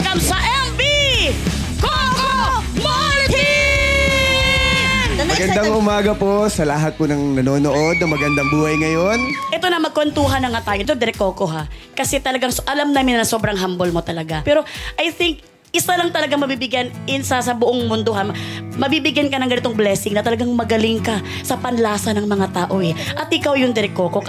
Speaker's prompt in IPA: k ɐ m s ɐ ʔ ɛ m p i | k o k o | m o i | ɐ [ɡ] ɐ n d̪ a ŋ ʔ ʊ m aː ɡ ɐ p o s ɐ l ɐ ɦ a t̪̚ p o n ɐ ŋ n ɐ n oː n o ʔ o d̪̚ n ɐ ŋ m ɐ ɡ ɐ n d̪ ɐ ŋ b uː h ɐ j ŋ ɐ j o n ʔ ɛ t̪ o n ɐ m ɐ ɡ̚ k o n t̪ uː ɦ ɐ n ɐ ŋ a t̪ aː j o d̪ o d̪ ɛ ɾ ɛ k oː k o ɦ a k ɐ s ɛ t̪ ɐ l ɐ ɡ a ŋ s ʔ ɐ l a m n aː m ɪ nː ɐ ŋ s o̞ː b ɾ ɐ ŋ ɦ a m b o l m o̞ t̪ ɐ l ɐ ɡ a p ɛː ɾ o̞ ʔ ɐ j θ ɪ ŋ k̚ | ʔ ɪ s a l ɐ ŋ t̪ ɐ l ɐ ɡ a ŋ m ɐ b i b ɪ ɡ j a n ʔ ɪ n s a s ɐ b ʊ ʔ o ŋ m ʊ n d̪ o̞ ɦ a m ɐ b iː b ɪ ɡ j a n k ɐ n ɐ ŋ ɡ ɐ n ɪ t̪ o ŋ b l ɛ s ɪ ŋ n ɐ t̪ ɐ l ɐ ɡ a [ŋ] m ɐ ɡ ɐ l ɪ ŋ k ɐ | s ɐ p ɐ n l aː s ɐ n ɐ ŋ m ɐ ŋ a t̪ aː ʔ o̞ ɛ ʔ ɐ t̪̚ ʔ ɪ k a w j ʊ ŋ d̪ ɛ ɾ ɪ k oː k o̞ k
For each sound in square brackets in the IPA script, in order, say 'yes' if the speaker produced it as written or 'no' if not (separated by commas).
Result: yes, yes